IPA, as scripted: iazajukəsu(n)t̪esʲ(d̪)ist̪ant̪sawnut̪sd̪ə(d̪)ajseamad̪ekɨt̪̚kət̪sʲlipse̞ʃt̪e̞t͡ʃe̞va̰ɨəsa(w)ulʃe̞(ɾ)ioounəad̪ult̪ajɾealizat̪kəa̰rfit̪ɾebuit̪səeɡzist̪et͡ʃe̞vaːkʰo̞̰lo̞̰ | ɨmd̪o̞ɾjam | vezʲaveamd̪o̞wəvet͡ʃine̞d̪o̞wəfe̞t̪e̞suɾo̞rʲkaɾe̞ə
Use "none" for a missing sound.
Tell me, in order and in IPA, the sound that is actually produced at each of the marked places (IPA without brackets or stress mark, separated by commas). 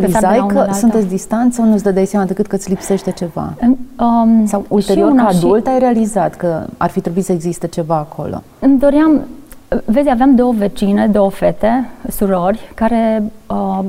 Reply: n, d̪, d̪, w, ɾ